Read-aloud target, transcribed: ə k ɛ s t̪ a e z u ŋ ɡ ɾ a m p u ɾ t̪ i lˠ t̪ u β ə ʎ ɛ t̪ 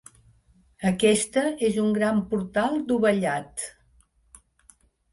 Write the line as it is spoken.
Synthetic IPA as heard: ə k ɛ s t̪ ə e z u ŋ ɡ ɾ a m p u ɾ t̪ a lˠ d̪ u β ə ʎ a t̪

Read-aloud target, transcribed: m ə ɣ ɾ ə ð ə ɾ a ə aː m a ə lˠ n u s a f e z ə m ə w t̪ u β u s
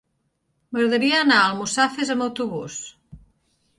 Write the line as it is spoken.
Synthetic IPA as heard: m ə ɣ ɾ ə ð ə ɾ i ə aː n a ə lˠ m u s a f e z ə m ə w t̪ u β u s

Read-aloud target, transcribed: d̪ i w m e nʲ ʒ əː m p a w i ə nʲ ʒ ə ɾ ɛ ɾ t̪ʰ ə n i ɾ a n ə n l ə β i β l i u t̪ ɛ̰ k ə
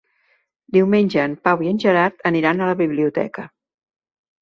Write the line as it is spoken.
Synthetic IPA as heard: d̪ i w m e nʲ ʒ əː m p a w i ə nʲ ʒ ə ɾ a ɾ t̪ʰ ə n i ɾ a n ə l ə β i β l i u t̪ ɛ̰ k ə

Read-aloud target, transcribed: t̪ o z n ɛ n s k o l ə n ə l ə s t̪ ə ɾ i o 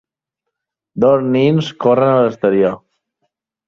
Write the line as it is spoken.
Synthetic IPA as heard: d̪ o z n i n s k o r ə n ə l ə s t̪ ə ɾ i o

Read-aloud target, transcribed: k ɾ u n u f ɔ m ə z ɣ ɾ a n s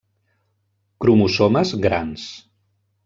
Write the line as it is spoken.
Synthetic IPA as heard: k ɾ u m u s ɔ m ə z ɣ ɾ a n s

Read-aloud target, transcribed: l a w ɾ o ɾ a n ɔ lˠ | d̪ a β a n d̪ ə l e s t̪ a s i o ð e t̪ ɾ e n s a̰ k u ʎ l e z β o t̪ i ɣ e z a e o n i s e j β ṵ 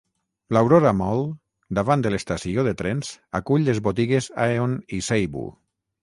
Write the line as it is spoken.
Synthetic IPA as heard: l a w ɾ o ɾ a m ɔ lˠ | d̪ a β a n d̪ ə l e s t̪ a s i o ð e t̪ ɾ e n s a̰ k u ʎ l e z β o t̪ i ɣ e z a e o n i s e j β ṵ

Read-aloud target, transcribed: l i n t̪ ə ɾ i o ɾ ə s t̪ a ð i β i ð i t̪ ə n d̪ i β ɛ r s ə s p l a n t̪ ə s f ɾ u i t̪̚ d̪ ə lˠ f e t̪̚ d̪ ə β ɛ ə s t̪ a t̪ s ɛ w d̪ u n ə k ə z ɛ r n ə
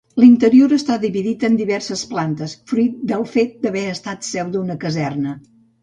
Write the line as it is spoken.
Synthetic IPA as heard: l i n t̪ ə ɾ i o ɾ ə s t̪ a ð i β i ð i t̪ ə n d̪ i β ɛ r s ə s p l a n t̪ ə s f ɾ u i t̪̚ d̪ ə lˠ f e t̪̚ d̪ ə β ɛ ə s t̪ a t̪ s ɛ w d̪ u n ə k ə z ɛ r n ə

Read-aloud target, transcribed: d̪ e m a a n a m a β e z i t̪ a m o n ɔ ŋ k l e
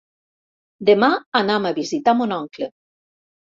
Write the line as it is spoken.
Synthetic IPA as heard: d̪ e m a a n a m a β i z i t̪ a m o n ɔ ŋ k l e

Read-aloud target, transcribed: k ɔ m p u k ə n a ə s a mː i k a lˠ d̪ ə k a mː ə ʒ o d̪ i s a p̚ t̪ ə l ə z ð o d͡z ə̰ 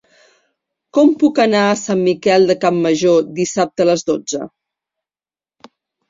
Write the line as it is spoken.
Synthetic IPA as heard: k ɔ m p u k ə n a ə s a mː i k ɛ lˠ d̪ ə k a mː ə ʒ o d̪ i s a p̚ t̪ ə l ə z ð o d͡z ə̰

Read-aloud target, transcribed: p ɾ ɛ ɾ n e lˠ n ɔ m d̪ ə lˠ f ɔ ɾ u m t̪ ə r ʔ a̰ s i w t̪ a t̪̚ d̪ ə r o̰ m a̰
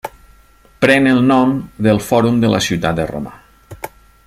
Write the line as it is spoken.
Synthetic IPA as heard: p ɾ ɛ n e lˠ n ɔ m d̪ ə lˠ f ɔ ɾ u m d̪ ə l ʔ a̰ s i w t̪ a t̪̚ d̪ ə r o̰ m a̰

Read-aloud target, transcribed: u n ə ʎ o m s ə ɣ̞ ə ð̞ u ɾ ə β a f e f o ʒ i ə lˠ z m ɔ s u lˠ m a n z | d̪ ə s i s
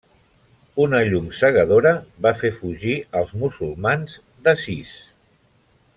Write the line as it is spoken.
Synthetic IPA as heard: u n ə ʎ u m s ə ɣ̞ ə ð̞ o ɾ ə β a f e f u ʒ i ə lˠ z m u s u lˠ m a n z | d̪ ə s i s

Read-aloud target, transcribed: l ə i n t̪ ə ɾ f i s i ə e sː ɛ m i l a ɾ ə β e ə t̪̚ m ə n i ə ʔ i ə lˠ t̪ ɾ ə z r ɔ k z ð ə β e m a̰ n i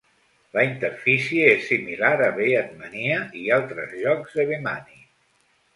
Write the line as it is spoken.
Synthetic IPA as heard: l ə i n t̪ ə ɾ f i s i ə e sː i m i l a ɾ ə β e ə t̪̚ m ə n i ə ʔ i a lˠ t̪ ɾ ə z ʎ ɔ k z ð ə β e m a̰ n i

